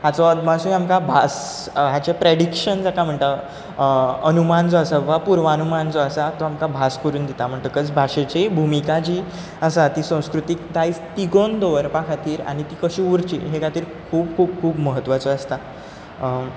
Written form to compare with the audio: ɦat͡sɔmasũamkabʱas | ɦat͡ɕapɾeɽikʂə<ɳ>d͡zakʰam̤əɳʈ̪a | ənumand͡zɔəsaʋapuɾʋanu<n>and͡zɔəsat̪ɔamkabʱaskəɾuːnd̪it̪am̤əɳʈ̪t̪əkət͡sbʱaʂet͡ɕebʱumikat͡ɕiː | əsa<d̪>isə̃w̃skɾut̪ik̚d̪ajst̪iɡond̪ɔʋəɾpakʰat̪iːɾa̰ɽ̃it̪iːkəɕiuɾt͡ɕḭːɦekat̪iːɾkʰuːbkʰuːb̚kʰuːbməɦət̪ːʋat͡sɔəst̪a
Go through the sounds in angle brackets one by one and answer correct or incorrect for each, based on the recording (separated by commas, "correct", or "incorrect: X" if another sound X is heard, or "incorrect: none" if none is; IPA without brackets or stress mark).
incorrect: n, incorrect: m, incorrect: t̪